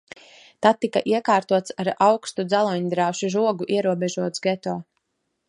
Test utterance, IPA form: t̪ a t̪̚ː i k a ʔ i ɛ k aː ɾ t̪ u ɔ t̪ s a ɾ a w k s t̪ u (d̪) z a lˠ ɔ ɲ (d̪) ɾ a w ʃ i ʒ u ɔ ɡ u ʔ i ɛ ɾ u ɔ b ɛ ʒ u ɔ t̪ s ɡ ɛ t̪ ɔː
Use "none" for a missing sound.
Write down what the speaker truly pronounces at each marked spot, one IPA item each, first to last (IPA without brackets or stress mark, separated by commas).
d̪, d̪